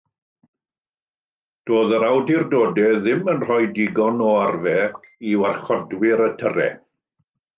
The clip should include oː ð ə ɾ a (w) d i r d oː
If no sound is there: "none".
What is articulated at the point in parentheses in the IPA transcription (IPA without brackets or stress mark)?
w